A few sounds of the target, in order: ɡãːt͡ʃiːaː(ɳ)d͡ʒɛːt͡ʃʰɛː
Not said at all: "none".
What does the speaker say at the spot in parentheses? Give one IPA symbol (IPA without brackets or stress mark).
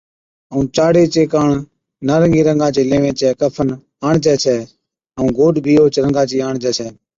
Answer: ɳ